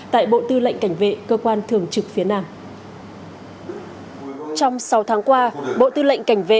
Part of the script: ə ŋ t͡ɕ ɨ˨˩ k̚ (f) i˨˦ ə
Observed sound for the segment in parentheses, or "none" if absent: f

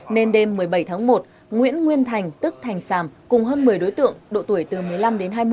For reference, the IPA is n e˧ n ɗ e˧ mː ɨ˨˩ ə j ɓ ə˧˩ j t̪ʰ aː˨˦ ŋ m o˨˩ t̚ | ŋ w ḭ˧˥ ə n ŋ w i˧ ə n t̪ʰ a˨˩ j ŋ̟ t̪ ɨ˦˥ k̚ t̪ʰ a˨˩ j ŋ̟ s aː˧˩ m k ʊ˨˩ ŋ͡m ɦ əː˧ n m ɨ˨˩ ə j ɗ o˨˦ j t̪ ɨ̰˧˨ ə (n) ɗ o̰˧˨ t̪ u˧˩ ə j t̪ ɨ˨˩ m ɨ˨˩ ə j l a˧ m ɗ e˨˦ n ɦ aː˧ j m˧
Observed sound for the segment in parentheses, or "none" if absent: ŋ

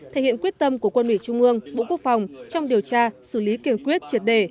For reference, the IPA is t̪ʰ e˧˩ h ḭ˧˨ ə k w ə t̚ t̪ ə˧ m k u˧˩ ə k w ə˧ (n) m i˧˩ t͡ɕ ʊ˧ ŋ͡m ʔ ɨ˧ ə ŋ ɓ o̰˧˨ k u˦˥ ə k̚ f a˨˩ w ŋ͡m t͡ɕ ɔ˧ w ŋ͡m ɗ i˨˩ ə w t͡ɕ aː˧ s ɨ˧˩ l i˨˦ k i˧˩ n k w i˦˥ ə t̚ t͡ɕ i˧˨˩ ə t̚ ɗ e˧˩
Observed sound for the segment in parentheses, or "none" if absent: n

